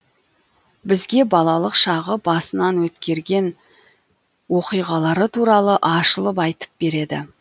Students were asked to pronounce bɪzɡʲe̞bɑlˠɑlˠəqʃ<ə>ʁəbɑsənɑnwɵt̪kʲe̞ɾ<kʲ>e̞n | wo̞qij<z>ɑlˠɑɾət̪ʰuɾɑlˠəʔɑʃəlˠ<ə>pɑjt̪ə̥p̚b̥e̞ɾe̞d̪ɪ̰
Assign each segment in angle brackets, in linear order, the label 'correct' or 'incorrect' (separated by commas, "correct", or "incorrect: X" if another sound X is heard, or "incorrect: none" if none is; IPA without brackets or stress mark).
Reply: incorrect: ɑ, incorrect: ɡʲ, incorrect: ʁ, correct